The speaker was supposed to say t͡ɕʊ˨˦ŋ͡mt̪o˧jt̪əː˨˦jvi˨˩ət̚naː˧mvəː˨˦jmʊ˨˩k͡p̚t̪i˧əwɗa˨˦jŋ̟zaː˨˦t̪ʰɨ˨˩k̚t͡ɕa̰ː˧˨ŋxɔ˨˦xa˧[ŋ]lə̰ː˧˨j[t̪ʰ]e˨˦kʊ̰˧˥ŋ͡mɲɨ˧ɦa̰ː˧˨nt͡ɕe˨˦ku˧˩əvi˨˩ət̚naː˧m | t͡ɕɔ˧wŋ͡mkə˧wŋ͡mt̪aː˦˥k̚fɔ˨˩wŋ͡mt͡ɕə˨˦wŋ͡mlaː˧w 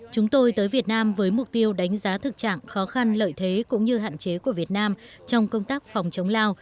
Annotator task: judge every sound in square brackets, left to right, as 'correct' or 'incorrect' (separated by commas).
incorrect, correct